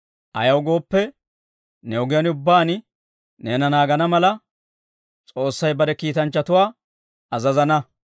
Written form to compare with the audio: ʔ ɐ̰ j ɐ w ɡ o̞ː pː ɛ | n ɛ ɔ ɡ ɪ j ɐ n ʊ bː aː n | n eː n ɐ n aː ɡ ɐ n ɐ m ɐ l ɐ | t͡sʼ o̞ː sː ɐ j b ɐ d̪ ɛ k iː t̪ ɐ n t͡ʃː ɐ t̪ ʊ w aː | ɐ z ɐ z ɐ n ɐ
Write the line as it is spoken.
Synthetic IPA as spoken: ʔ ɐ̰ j ɐ w ɡ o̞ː pː ɛ | n ɛ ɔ ɡ ɪ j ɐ n ʊ bː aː n | n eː n ɐ n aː ɡ ɐ n ɐ m ɐ l ɐ | t͡sʼ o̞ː sː ɐ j b ɐ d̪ ɛ k iː t̪ ɐ n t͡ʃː ɐ t̪ ʊ w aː | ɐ z ɐ z ɐ n ɐ